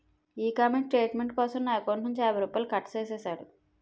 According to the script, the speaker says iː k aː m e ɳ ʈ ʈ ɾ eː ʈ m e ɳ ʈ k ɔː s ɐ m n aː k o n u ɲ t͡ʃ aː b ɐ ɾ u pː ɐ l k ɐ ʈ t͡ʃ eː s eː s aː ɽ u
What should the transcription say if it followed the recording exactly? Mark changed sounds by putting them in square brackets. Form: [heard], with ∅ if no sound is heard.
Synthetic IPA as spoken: iː k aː m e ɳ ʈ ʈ ɾ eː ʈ m e ɳ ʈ k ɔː s ɐ m n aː k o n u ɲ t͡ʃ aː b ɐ ɾ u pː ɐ l k ɐ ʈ t͡ʃ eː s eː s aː ɽ u